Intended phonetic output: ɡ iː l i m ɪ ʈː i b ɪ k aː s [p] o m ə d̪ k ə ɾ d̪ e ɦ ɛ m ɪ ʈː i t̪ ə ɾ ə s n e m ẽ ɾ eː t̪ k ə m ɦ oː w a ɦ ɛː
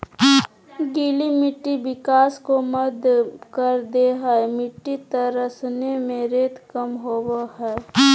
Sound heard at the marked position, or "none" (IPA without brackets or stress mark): k